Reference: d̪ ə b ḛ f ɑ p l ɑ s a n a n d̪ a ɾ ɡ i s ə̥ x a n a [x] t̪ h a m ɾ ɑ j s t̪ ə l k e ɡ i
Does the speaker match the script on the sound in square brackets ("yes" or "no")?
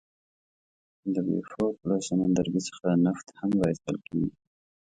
no